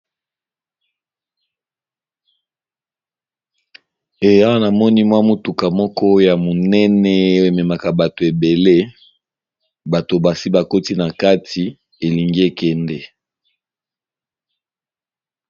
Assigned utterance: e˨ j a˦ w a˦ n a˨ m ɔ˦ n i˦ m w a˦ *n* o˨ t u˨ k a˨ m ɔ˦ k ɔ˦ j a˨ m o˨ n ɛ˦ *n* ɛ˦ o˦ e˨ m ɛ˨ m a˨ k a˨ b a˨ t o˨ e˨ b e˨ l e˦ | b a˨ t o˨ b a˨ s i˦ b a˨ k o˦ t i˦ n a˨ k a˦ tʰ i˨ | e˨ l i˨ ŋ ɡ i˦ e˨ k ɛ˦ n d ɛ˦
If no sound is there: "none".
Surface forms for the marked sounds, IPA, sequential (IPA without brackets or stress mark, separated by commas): m, n